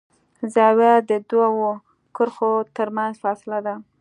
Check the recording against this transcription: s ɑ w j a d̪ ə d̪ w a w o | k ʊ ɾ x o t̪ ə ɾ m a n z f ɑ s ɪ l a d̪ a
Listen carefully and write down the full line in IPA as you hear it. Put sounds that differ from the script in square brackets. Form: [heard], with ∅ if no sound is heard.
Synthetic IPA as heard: [z] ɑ w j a d̪ ə d̪ w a w o | k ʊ ɾ x o t̪ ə ɾ m a n z f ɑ s ɪ l a d̪ a